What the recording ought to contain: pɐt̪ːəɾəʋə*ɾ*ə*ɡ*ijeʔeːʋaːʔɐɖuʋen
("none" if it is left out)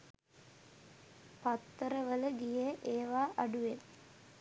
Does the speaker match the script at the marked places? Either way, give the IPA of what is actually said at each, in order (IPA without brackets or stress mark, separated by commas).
l, ɡ